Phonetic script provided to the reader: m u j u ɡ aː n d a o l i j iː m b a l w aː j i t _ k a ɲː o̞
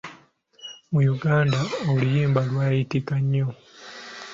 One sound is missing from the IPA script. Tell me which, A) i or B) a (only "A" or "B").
A